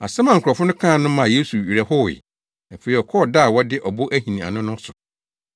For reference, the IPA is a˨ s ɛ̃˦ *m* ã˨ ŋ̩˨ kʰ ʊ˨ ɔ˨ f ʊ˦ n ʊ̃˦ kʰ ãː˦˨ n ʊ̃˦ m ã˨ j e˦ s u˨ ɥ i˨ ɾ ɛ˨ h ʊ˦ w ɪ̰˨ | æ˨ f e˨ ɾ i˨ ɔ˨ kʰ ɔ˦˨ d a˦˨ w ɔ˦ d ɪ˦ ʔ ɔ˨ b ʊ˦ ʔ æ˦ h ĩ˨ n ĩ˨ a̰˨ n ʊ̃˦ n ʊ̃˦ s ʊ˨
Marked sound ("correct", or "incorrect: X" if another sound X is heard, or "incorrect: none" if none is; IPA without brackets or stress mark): correct